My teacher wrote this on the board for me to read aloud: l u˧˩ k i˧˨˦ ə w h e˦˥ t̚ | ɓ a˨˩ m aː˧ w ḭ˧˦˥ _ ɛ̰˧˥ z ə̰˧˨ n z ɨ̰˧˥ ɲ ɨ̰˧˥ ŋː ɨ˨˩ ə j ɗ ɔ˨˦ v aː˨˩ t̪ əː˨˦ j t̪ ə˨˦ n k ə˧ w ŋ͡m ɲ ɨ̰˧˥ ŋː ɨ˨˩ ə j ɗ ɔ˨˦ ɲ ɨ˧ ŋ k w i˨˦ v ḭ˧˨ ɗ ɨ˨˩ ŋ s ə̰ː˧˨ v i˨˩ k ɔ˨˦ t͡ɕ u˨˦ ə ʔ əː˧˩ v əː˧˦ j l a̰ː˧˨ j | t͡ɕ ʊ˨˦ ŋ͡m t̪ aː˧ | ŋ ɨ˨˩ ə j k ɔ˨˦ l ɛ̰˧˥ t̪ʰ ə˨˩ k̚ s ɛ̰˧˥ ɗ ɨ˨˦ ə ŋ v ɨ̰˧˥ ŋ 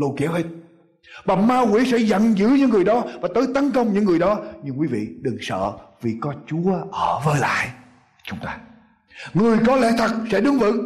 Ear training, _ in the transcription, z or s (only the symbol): s